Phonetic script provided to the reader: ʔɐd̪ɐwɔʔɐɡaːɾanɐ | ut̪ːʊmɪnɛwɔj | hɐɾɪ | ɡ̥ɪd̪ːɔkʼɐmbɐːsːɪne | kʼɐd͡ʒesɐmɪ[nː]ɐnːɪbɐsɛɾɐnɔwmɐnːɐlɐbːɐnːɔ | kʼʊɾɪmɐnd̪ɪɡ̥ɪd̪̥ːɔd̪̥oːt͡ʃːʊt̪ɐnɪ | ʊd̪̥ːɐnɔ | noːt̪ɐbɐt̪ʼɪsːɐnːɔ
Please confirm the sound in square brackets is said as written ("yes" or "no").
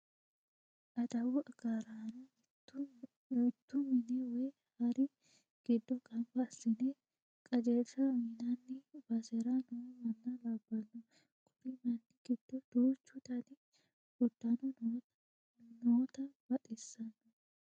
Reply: no